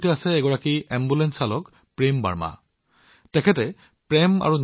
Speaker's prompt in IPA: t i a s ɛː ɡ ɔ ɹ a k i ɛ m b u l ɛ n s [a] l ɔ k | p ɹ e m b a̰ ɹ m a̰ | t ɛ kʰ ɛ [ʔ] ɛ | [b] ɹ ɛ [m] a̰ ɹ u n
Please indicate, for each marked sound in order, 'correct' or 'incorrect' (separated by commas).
correct, incorrect, incorrect, correct